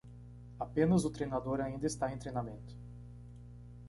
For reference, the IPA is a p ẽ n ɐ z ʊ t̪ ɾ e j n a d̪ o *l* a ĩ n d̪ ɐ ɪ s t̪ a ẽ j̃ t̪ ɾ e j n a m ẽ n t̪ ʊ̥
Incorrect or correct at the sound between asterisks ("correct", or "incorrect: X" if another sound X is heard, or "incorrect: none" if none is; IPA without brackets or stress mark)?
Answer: incorrect: ɾ